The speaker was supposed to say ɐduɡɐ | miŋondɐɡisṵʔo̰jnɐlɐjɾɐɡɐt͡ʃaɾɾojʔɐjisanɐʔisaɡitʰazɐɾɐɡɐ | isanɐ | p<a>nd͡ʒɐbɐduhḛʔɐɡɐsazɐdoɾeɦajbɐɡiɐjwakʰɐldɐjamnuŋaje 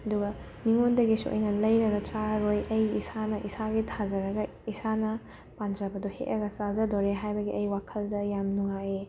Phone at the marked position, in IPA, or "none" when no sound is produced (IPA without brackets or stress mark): a